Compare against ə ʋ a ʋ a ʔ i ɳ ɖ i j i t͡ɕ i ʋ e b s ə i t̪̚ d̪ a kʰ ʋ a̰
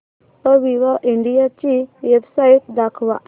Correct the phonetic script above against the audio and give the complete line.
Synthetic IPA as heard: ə ʋ i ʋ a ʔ i ɳ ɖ i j a t͡ɕ i ʋ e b s a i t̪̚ d̪ a kʰ ʋ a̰